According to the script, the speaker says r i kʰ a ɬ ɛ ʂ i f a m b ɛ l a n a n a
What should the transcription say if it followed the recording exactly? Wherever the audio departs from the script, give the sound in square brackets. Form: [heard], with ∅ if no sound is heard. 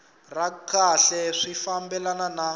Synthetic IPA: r [a] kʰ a ɬ ɛ ʂ i f a m b ɛ l a n a n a